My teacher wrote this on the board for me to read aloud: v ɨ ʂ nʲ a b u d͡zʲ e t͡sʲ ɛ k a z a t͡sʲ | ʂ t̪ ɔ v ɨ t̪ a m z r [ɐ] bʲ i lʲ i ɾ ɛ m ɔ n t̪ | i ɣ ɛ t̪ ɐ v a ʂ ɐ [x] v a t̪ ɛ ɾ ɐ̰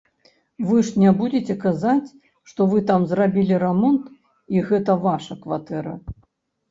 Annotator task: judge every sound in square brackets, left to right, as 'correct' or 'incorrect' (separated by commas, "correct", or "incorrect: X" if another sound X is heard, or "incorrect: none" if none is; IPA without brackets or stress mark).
incorrect: a, incorrect: k